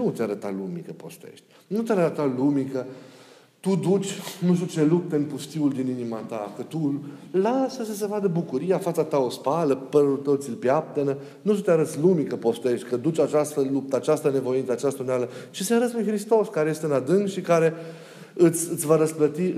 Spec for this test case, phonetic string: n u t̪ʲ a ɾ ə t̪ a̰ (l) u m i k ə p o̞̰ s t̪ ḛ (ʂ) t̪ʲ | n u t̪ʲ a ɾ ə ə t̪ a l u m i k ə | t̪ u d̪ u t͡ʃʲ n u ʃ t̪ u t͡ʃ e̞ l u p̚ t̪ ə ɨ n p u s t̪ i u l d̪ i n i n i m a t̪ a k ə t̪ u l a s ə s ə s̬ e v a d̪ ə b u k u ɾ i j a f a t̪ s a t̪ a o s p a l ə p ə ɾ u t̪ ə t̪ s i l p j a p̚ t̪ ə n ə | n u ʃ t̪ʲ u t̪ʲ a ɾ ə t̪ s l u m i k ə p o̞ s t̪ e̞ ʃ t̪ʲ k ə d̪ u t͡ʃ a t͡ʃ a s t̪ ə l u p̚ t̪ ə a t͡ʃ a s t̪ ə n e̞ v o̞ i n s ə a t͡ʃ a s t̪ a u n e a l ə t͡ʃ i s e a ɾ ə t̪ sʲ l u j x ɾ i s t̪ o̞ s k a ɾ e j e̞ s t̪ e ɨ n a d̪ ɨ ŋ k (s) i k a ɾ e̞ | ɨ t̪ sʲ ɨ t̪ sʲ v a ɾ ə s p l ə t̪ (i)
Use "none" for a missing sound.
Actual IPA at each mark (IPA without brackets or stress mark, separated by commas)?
l, ʃ, ʃ, i